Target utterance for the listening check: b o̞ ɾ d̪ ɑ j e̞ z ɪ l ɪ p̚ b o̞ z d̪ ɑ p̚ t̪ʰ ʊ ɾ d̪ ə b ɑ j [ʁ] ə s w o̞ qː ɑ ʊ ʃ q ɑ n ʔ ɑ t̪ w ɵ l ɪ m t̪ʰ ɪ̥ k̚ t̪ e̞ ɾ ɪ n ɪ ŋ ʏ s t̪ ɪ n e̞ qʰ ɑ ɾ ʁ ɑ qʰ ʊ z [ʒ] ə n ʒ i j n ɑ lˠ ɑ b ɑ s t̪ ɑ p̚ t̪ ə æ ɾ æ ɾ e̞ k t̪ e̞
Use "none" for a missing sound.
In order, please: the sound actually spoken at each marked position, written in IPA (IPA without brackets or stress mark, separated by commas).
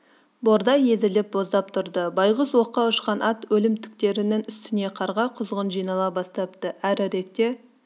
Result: ʁ, ʁ